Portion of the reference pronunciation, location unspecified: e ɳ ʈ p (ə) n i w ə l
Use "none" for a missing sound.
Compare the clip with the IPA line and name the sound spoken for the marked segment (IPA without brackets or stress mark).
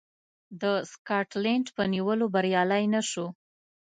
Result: ə